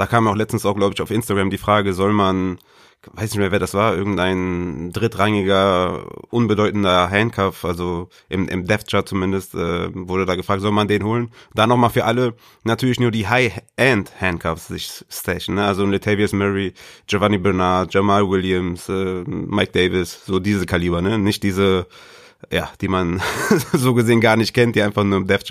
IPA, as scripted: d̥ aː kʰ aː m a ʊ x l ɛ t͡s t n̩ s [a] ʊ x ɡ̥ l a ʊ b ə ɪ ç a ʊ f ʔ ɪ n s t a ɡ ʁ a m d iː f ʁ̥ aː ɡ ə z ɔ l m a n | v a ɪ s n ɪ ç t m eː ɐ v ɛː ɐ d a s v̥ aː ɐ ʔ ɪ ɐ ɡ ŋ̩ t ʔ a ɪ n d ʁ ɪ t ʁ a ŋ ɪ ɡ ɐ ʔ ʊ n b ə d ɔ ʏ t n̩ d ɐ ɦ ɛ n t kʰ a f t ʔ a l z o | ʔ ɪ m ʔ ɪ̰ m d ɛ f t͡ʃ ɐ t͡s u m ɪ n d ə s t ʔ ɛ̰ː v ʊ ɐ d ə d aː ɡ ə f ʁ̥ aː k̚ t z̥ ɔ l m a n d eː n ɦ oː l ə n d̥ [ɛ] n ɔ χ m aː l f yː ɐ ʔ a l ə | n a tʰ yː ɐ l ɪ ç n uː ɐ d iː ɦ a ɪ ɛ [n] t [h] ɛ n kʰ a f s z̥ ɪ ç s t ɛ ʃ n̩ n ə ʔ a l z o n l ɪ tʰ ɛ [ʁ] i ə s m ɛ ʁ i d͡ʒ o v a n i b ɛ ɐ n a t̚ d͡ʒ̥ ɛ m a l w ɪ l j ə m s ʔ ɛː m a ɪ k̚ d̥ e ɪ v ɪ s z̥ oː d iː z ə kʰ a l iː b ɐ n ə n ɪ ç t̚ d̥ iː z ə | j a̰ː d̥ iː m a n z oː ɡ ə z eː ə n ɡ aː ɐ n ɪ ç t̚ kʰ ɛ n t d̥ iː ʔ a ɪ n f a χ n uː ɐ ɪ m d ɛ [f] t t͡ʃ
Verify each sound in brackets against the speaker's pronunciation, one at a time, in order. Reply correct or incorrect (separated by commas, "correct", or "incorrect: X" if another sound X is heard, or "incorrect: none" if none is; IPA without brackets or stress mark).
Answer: correct, incorrect: a, correct, correct, incorrect: v, correct